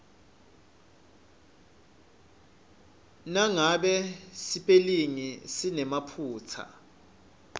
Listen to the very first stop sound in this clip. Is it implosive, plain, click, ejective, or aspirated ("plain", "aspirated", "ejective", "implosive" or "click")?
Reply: implosive